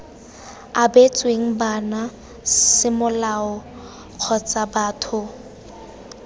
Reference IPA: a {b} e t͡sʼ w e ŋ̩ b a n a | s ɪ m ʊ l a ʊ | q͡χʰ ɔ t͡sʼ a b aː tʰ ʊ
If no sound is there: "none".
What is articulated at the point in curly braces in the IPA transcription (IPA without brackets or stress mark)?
b